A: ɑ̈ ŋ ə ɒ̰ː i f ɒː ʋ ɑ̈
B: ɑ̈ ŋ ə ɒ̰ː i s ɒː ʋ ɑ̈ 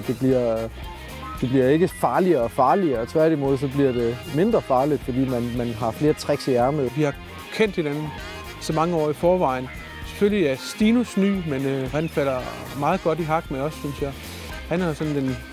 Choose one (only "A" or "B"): A